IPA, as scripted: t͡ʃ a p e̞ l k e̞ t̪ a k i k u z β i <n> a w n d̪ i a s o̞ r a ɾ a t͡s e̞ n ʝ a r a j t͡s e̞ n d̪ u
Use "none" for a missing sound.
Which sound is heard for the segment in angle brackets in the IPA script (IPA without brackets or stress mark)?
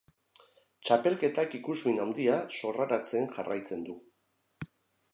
n